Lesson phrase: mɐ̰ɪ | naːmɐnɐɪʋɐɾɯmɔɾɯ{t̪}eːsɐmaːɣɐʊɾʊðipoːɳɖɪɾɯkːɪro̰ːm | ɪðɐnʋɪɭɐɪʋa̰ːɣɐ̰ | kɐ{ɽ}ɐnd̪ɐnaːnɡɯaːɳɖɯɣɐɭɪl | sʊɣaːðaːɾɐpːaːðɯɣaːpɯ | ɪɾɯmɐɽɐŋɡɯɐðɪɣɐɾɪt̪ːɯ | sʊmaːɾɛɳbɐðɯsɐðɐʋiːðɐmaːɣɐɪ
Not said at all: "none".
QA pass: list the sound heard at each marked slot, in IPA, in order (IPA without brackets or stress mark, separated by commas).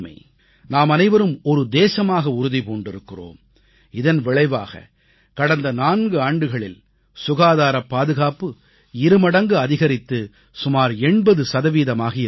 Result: d̪, ɽ